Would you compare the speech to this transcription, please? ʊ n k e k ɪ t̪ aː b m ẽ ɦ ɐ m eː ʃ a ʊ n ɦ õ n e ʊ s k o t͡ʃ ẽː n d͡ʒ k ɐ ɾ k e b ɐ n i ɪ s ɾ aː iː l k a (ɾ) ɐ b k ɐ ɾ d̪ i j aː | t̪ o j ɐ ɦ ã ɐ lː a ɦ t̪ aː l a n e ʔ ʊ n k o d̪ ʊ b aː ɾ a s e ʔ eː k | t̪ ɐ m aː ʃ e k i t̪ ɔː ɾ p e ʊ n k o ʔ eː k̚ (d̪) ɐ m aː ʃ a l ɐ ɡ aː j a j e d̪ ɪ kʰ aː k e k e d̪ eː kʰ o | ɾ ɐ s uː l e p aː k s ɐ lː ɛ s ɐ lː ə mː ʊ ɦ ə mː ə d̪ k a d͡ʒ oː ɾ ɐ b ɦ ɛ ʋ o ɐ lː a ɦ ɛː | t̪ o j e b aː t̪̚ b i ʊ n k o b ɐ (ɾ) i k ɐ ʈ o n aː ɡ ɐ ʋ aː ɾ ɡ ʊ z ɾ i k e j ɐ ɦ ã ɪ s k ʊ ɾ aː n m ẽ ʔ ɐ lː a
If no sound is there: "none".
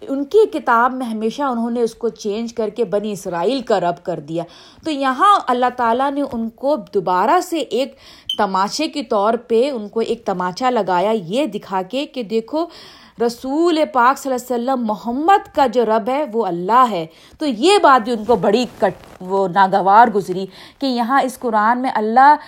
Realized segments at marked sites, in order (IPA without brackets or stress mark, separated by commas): ɾ, t̪, ɽ